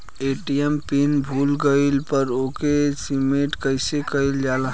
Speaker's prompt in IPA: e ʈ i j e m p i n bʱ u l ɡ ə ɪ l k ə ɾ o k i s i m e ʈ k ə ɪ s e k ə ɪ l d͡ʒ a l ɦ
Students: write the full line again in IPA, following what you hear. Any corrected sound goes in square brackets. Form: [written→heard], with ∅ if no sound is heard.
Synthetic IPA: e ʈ i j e m p i n bʱ u l ɡ ə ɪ l [k→p] ə ɾ o k [i→e] s i m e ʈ k ə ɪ s e k ə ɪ l d͡ʒ a l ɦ

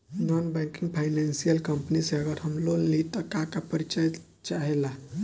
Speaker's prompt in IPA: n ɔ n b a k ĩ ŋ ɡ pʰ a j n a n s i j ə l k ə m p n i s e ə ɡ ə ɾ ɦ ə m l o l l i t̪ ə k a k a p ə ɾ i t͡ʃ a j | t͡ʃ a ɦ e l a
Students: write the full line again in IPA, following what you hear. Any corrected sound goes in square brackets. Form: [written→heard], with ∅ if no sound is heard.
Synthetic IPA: n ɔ n b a k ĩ ŋ ɡ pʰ a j n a n s i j ə l k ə m p n i s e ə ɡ ə ɾ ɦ ə m l o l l i t̪ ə k a k a p ə ɾ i t͡ʃ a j | t͡ʃ a ɦ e l a

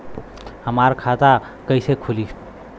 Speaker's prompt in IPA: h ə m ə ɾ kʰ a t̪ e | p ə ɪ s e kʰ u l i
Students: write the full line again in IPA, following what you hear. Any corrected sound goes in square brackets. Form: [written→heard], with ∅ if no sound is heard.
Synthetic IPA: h ə m [ə→a] ɾ kʰ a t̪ [e→a] | [p→k] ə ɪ s e kʰ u l i

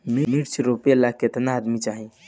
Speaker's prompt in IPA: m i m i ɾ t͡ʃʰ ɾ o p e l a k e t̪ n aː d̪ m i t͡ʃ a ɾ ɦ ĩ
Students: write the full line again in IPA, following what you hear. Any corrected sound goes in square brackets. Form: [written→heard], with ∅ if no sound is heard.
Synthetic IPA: m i m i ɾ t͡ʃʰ ɾ o p e l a k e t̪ n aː d̪ m i t͡ʃ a [ɾ→∅] ɦ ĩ

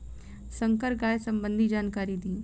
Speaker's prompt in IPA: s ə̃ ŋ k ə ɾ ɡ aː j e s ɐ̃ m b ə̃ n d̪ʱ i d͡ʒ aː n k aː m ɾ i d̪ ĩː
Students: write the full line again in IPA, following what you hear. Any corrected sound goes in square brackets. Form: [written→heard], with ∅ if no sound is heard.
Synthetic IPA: s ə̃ ŋ k ə ɾ ɡ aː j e s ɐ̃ m b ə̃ n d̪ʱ i d͡ʒ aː n k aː [m→∅] ɾ i d̪ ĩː

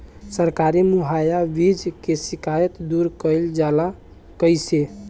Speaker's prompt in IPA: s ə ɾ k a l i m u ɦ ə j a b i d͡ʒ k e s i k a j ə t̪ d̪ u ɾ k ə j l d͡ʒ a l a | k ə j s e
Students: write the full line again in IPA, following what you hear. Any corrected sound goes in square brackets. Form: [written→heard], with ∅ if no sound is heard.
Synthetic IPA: s ə ɾ k a [l→ɾ] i m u ɦ [ə→a] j a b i d͡ʒ k e s i k a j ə t̪ d̪ u ɾ k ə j l d͡ʒ a l a | k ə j s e

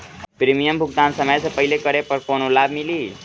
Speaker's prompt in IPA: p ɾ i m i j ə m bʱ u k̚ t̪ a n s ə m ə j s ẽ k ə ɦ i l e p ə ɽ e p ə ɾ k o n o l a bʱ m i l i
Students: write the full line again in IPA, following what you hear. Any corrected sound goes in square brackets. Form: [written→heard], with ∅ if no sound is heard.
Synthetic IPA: p ɾ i m i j ə m bʱ u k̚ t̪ a n s ə m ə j s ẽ [k→p] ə ɦ i l e [p→k] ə [ɽ→ɾ] e p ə ɾ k o n o l a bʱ m i l i

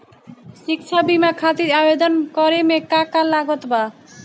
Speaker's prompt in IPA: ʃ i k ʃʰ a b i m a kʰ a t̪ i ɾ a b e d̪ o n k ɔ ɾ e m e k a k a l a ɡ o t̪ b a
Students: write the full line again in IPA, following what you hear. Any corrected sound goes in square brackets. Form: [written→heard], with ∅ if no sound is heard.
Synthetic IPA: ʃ i k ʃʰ a b i m a kʰ a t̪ i ɾ a b e d̪ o n k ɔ ɾ e m e k a k a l a ɡ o t̪ b a

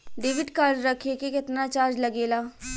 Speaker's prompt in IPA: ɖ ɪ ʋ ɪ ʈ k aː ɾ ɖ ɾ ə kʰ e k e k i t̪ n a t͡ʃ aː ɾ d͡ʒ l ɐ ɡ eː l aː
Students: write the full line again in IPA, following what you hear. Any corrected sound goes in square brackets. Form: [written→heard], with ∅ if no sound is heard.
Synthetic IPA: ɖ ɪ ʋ ɪ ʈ k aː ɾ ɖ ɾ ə kʰ e k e k [i→ɪ] t̪ n a t͡ʃ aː ɾ d͡ʒ l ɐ ɡ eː l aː

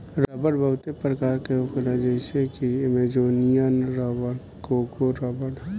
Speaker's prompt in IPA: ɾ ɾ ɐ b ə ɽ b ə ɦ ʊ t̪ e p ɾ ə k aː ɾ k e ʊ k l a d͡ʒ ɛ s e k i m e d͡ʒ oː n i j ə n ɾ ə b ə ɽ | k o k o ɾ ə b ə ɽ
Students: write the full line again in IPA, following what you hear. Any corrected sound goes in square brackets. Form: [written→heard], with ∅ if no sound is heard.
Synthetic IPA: ɾ ɾ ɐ b ə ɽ b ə ɦ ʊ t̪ e p ɾ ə k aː ɾ k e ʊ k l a d͡ʒ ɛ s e k i m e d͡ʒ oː n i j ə n ɾ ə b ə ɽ | k o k o ɾ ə b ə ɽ

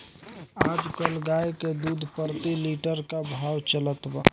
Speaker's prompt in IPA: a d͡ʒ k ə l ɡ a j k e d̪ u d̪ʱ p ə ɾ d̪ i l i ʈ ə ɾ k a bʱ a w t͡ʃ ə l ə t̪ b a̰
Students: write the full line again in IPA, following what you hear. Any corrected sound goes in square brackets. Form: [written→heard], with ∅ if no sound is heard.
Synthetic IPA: a d͡ʒ k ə l ɡ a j k e d̪ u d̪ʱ p ə ɾ [d̪→t̪] i l i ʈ ə ɾ k a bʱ a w t͡ʃ ə l ə t̪ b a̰

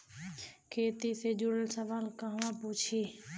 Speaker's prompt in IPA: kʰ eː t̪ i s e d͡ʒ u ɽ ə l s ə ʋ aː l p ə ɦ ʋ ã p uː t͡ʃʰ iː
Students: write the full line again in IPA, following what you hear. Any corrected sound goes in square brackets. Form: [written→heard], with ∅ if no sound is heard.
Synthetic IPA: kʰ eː t̪ i s e d͡ʒ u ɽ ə l s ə ʋ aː l [p→k] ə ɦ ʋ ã p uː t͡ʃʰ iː

